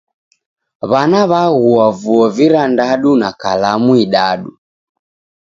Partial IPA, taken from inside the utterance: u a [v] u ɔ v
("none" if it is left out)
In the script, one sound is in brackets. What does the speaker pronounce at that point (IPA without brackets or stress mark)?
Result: v